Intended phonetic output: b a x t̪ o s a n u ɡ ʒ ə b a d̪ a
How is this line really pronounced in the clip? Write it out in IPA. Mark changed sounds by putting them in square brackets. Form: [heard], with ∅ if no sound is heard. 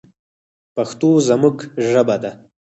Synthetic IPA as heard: [p] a x t̪ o [z] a [m] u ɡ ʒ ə b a d̪ a